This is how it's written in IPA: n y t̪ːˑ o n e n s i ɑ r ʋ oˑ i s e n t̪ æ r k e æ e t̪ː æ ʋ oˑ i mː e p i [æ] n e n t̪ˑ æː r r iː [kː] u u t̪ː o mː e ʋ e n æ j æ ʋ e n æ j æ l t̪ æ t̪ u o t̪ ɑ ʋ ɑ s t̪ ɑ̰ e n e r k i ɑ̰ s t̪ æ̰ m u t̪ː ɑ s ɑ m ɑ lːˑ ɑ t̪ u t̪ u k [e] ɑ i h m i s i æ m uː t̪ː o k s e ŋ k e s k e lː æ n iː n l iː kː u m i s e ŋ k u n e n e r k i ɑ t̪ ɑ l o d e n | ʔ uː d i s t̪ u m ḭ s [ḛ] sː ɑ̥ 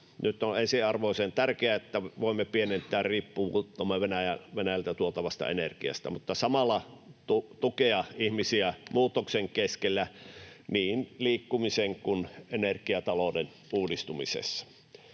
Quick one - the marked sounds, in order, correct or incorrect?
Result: incorrect, incorrect, correct, correct

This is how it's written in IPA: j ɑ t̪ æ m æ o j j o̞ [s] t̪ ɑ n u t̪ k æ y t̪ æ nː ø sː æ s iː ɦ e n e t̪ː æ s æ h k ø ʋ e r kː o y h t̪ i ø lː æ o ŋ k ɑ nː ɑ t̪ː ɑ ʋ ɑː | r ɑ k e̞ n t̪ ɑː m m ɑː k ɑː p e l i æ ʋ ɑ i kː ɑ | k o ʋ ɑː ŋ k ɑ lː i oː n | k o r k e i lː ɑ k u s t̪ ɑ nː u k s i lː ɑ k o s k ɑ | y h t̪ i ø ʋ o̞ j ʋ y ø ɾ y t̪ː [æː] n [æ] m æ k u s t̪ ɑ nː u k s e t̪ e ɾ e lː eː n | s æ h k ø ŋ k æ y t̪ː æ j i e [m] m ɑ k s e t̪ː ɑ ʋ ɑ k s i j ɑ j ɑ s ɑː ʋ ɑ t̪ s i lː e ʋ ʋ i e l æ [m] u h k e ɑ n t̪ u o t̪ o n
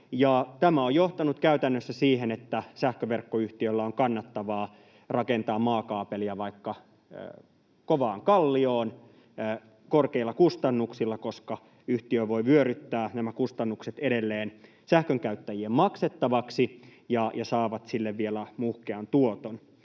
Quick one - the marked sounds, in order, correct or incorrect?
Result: incorrect, correct, correct, correct, correct

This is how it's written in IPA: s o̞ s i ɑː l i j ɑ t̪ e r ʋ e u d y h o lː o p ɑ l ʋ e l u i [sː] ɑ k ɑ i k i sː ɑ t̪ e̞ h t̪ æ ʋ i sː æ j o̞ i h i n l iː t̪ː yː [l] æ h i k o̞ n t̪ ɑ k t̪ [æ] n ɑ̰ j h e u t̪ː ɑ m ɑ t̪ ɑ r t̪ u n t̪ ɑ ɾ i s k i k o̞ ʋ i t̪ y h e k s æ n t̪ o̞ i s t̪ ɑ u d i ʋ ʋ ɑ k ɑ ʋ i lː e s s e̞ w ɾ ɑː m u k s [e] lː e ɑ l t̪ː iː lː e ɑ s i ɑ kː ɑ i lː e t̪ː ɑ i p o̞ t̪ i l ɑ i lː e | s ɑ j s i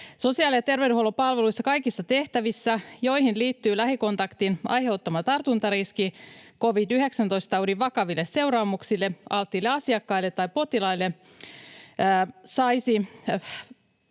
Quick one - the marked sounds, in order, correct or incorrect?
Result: correct, correct, incorrect, incorrect

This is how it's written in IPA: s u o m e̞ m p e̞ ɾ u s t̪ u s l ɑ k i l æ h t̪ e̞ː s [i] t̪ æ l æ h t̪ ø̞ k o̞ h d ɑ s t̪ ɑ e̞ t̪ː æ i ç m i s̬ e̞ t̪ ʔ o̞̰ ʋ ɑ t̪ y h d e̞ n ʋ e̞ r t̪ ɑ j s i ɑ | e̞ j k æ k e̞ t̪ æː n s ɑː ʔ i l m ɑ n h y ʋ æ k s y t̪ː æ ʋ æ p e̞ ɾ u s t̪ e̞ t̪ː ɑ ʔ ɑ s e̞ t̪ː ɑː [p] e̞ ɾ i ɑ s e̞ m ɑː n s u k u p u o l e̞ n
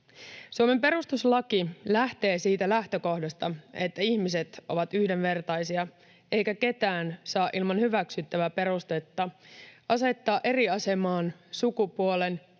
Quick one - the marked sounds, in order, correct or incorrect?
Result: incorrect, incorrect

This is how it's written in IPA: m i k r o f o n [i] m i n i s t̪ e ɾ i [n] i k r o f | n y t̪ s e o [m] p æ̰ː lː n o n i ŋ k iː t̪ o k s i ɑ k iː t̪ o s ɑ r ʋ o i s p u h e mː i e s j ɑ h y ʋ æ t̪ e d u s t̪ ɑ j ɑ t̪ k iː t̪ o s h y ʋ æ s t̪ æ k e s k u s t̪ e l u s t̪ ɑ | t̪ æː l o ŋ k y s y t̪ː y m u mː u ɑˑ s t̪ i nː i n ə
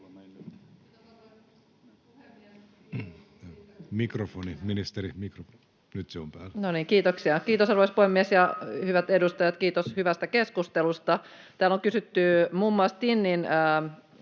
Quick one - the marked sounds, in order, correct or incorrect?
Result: correct, incorrect, correct

